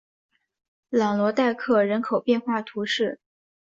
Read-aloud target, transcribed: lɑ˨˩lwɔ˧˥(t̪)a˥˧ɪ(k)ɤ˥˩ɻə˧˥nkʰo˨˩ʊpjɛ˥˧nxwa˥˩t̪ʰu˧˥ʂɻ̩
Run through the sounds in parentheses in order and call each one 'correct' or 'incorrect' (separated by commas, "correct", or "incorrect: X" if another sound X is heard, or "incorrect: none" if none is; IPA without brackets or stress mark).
correct, incorrect: kʰ